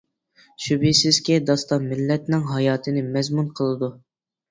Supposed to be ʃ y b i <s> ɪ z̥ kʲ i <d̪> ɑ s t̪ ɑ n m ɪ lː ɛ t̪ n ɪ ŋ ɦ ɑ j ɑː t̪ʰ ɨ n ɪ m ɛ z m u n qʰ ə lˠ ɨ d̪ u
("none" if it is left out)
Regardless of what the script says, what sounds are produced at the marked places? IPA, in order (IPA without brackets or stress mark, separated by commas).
s, d̪